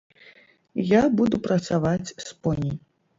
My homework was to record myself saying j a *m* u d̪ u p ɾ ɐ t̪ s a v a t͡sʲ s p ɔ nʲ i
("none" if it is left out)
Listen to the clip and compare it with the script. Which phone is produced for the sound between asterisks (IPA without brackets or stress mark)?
b